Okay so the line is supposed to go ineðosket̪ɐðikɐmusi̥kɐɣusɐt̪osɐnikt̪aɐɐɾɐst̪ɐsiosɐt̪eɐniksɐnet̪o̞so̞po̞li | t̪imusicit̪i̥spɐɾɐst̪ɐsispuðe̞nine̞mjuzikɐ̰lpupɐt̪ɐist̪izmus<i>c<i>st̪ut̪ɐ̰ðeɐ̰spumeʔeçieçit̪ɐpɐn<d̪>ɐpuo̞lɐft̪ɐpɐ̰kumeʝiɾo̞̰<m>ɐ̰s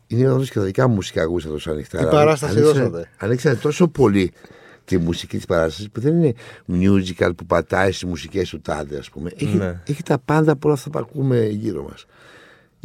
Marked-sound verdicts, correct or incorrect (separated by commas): correct, incorrect, correct, correct